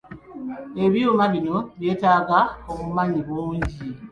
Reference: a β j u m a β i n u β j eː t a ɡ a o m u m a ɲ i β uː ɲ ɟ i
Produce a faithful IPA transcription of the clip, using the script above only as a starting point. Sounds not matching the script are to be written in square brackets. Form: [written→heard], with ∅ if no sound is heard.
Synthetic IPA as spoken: [a→e] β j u m a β i n [u→o] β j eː t a ɡ a o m u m a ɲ i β uː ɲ ɟ i

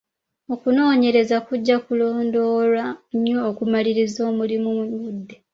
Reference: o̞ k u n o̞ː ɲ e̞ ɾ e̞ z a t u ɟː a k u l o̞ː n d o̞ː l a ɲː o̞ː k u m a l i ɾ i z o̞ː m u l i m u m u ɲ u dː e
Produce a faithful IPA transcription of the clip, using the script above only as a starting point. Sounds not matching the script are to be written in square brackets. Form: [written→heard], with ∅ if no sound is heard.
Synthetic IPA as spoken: o̞ k u n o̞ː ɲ e̞ ɾ e̞ z a [t→k] u ɟː a k u l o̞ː n d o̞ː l a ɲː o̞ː k u m a l i ɾ i z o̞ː m u l i m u m u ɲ u dː e

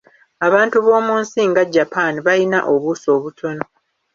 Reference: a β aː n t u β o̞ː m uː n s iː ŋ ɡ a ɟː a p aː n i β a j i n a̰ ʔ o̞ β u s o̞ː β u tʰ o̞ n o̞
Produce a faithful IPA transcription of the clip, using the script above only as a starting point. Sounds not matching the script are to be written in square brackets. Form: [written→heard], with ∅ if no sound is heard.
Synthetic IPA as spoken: a β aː n t u β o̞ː m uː n s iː ŋ ɡ a ɟː a p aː n i β a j i n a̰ ʔ o̞ β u s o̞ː β u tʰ o̞ n o̞

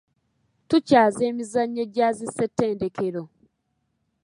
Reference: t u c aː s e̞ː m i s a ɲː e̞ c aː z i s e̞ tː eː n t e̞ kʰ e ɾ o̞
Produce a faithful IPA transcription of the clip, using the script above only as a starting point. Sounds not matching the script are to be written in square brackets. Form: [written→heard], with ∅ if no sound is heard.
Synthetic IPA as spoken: t u c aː [s→z] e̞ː m i [s→z] a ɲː e̞ [c→ɟ] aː z i s e̞ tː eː n [t→d] e̞ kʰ e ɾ o̞

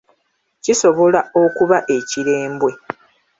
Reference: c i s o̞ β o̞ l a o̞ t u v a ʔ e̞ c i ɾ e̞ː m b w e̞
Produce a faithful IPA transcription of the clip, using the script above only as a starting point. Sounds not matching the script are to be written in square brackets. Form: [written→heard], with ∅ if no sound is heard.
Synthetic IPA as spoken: c i s o̞ β o̞ l a o̞ [t→k] u [v→β] a ʔ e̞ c i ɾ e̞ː m b w e̞

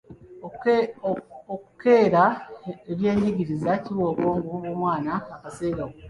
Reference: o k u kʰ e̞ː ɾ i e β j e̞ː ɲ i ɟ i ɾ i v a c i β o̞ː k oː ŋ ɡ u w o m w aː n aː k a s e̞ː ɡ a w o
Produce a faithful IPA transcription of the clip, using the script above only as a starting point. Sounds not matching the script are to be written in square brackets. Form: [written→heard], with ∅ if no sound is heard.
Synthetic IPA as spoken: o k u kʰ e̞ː ɾ [i→a] e β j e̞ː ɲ i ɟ i ɾ i [v→z] a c i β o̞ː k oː ŋ ɡ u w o m w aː n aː k a s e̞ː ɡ a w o

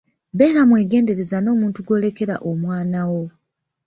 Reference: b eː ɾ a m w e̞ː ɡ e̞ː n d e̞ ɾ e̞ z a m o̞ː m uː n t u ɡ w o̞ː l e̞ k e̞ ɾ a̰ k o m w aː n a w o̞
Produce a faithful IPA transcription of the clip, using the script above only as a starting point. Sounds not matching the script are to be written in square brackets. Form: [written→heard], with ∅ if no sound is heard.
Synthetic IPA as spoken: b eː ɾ a m w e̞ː ɡ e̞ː n d e̞ ɾ e̞ z a [m→n] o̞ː m uː n t u ɡ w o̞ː l e̞ k e̞ ɾ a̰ [k→ʔ] o m w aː n a w o̞

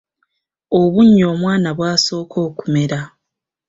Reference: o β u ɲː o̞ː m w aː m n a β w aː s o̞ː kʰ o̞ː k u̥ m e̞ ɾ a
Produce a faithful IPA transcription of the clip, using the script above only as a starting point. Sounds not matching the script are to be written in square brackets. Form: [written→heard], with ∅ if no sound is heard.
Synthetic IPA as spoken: o β u ɲː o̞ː m w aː [m→∅] n a β w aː s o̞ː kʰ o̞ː k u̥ m e̞ ɾ a

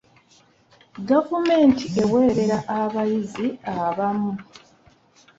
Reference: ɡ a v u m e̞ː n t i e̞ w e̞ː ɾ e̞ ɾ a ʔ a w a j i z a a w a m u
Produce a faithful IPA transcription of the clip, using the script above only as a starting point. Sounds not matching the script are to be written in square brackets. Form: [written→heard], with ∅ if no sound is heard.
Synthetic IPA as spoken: ɡ a v u m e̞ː n t i e̞ w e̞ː ɾ e̞ ɾ a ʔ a [w→β] a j i z [a→i] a [w→β] a m u

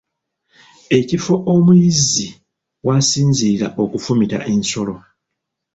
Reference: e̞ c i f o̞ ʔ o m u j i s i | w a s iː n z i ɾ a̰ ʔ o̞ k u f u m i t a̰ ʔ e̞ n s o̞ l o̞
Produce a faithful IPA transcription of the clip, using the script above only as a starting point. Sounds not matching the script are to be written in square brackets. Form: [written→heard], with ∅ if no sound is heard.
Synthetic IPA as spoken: e̞ c i f o̞ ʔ o m u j i [s→z] i | w a s iː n z i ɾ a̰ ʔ o̞ k u f u m i t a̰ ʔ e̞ n s o̞ l o̞

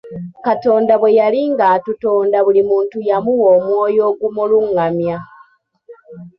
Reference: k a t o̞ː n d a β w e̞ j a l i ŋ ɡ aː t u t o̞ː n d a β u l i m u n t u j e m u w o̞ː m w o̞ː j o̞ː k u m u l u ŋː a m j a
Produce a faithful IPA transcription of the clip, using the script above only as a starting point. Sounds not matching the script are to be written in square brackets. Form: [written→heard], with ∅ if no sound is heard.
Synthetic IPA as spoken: k a t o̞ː n d a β w e̞ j a l i ŋ ɡ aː t u t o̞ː n d a β u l i m [u→uː] n t u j [e→a] m u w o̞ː m w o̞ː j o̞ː [k→ɡ] u m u l u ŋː a m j a

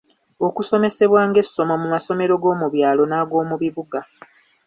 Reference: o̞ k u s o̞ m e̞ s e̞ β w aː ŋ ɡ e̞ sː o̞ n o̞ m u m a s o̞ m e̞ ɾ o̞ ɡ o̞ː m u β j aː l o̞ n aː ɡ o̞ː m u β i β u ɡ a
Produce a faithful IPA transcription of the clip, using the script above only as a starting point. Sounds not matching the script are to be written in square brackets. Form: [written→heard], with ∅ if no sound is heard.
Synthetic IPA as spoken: o̞ k u s o̞ m e̞ s e̞ β w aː ŋ ɡ e̞ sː o̞ [n→m] o̞ m u m a s o̞ m e̞ ɾ o̞ ɡ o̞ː m u β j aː l o̞ n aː ɡ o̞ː m u β i β u ɡ a

